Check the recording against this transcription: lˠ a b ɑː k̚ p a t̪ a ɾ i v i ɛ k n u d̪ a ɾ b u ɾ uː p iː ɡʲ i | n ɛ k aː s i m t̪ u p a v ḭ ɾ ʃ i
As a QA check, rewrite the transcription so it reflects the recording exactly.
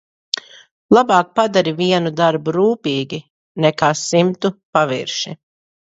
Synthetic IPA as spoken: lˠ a b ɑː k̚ p a d̪ a ɾ i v i ɛ n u d̪ a ɾ b u ɾ uː p iː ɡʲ i | n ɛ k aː s i m t̪ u p a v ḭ ɾ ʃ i